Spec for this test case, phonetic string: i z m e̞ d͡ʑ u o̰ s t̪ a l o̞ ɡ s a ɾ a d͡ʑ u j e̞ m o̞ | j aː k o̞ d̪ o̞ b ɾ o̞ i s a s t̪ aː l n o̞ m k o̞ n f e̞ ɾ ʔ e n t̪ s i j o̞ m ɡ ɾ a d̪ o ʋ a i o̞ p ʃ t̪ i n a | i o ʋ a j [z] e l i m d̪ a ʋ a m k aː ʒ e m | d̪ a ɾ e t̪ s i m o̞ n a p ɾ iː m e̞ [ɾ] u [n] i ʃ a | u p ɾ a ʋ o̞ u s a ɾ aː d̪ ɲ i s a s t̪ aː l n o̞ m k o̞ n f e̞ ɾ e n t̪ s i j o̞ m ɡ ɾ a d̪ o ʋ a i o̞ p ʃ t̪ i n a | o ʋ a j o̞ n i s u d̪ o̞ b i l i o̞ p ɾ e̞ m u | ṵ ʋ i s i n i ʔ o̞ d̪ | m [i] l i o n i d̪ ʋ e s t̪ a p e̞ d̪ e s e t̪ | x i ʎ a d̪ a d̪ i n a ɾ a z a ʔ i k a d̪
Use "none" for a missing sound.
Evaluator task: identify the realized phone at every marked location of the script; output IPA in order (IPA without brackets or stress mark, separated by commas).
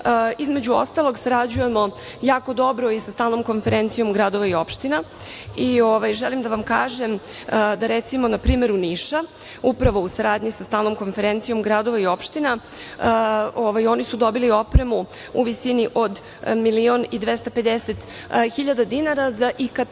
ʒ, ɾ, n, i